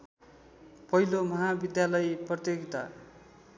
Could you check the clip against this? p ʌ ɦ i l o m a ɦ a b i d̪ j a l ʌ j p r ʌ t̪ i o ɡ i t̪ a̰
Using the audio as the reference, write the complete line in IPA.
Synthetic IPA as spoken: p ʌ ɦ i l o m ʌ ɦ a b i d̪ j a l ʌ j p r ʌ t̪ j o ɡ i t̪ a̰